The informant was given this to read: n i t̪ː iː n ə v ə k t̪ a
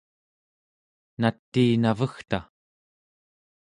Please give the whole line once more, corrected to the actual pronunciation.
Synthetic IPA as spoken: n a t̪ː iː n a v ə x t̪ a